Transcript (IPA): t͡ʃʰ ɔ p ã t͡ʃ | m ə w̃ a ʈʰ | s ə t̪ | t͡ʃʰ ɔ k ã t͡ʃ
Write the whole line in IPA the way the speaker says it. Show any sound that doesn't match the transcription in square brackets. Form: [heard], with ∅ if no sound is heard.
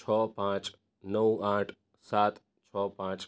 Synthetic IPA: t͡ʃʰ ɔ p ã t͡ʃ | [n] ə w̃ a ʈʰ | s [a] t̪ | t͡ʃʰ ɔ [p] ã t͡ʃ